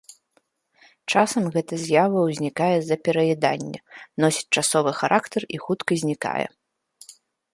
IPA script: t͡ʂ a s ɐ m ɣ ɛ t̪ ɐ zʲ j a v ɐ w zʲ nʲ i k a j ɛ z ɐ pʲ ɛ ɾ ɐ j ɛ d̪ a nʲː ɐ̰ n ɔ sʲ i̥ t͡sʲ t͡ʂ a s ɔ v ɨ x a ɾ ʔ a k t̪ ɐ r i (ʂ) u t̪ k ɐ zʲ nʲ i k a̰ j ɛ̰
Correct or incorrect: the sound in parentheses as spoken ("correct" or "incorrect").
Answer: incorrect